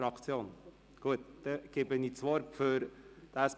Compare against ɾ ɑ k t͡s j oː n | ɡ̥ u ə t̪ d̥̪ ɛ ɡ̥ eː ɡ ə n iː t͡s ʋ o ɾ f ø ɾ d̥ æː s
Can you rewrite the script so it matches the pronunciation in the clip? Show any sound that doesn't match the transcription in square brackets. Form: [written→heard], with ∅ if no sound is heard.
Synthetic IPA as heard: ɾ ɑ k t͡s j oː n | ɡ̥ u ə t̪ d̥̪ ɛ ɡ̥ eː [ɡ→b] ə n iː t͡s ʋ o ɾ f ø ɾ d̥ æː s

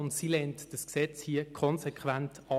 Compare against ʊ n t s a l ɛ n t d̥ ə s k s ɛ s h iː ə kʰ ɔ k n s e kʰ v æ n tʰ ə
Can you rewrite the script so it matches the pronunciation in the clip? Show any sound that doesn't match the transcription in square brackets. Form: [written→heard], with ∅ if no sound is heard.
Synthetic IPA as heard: ʊ n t s [a→i] l ɛ n t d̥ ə s k s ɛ [s→t͡s] h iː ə kʰ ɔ [k→∅] n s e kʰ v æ n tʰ [ə→ɑ]

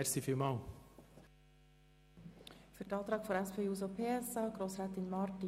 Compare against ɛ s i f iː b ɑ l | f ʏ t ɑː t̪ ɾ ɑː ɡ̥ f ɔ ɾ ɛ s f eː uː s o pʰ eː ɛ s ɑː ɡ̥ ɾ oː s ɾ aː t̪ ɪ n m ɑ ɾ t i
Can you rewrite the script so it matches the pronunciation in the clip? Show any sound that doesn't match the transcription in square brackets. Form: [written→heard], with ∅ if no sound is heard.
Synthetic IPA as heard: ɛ s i f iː [b→m] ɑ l | f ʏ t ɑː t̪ ɾ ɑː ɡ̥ f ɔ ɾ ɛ s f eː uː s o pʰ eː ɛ s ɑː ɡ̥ ɾ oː s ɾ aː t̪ ɪ n m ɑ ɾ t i

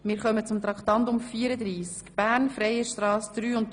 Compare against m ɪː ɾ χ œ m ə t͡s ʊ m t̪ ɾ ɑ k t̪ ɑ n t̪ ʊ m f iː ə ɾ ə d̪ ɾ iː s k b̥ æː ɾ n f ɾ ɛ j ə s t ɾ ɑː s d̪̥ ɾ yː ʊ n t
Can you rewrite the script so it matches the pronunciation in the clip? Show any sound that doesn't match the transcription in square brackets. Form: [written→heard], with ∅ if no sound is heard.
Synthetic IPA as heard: m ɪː ɾ χ œ m ə t͡s ʊ m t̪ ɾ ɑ k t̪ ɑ n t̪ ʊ m f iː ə ɾ ə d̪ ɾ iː s k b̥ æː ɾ n f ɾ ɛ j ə [s→ʃ] t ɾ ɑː s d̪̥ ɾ yː ʊ n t

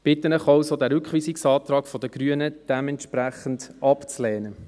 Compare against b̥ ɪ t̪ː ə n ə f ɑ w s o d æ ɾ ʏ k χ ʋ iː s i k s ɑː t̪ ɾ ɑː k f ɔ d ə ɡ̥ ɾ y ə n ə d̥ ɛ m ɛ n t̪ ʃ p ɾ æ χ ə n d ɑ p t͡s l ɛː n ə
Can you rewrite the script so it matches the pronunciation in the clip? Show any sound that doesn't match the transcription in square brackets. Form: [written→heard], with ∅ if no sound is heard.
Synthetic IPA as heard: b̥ ɪ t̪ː ə n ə [f→χ] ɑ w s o d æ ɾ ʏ k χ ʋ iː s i k s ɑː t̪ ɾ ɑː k f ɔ d ə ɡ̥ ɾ y ə n ə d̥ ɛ m ɛ n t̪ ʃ p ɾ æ χ ə n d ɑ p t͡s l ɛː n ə

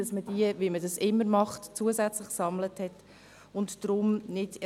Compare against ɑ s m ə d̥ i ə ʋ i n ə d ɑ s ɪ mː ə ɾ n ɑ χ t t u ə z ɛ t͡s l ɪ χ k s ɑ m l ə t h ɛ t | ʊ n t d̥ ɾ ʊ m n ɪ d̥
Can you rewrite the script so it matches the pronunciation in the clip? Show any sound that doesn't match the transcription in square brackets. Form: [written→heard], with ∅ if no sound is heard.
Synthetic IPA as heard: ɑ s m ə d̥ i ə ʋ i [n→m] ə d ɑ s ɪ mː ə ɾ [n→m] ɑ χ t [t→t͡s] u ə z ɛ t͡s l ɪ χ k s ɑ m l ə t h ɛ t | ʊ n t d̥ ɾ ʊ m n ɪ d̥

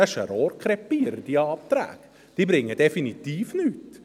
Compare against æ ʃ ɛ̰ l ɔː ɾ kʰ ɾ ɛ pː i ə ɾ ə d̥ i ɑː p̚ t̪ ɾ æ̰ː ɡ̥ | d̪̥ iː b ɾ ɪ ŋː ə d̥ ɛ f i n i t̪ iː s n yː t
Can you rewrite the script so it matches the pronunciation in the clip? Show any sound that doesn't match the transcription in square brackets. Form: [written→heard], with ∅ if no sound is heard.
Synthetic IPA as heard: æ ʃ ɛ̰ [l→ɾ] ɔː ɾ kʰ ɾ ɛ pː i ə ɾ ə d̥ i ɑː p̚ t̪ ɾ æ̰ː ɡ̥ | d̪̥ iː b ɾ ɪ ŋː ə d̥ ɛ f i n i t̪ iː [s→f] n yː t

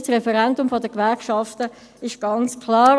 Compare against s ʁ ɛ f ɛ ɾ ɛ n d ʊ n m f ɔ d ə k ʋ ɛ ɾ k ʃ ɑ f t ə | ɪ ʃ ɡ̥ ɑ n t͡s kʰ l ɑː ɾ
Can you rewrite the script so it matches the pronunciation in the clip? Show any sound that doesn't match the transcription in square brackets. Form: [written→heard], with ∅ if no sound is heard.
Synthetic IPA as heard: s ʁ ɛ f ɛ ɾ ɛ n d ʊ [n→∅] m f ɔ d ə k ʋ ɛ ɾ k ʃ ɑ f t ə | ɪ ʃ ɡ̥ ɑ n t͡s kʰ l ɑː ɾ

